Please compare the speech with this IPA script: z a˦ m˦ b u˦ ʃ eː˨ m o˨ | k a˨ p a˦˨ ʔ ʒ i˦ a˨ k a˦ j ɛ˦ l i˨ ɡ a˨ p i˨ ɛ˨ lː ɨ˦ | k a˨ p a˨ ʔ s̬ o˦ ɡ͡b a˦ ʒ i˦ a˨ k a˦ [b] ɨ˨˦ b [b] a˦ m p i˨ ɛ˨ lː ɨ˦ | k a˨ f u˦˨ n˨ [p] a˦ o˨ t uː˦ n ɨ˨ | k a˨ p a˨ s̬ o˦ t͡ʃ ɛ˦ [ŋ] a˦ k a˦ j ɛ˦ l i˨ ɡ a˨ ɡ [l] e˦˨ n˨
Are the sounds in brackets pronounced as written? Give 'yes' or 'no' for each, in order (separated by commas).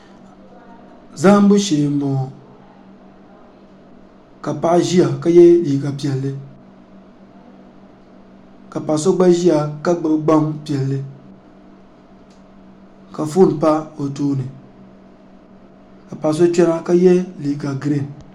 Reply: no, no, yes, no, no